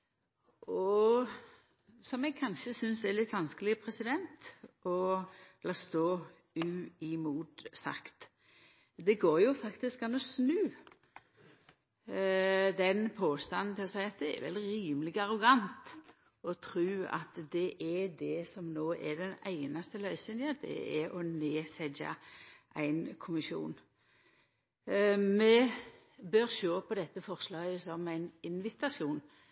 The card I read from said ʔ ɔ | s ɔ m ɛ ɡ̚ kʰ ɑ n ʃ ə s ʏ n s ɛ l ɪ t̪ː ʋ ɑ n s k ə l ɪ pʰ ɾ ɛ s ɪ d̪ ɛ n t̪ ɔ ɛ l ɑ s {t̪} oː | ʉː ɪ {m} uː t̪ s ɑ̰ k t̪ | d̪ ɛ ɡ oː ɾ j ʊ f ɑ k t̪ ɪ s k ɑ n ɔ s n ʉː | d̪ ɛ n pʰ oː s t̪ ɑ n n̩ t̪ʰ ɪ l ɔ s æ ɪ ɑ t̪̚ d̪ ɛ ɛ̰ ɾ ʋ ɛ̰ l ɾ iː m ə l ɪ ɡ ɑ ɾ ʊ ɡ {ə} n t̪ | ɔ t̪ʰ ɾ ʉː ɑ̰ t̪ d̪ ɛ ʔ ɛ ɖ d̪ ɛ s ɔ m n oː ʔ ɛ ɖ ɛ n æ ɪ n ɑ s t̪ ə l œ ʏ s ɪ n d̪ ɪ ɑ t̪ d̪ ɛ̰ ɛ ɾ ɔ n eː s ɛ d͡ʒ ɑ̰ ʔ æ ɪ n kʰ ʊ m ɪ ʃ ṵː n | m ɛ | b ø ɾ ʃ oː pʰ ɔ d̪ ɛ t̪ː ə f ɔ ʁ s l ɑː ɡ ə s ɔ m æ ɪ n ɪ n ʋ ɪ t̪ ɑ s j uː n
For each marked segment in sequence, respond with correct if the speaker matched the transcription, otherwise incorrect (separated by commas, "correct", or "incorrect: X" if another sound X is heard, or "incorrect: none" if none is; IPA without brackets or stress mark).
correct, correct, incorrect: ɑ